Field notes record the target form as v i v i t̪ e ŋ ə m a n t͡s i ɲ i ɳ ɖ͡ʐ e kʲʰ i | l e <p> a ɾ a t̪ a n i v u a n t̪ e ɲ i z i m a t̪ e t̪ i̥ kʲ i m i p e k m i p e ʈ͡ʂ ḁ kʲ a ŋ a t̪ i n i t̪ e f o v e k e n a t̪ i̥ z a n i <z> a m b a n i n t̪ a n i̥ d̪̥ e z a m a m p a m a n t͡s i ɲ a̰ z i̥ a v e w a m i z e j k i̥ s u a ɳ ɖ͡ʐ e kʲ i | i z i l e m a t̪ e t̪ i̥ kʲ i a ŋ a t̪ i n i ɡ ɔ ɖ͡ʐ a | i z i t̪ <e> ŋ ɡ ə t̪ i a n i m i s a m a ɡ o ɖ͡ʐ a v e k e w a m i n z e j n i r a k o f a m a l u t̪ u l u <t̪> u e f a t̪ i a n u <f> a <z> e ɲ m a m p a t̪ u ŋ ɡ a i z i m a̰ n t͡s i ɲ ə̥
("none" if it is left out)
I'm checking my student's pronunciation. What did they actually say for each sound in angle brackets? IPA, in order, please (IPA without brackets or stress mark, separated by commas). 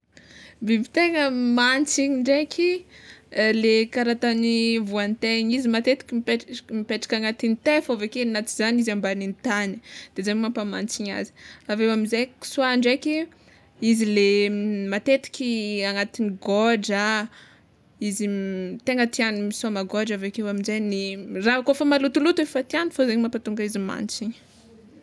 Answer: k, z, e, t̪, f, z